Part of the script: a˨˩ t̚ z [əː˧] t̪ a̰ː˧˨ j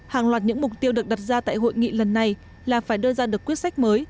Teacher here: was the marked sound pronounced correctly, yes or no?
no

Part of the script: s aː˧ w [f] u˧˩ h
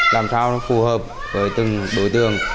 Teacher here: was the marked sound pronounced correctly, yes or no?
yes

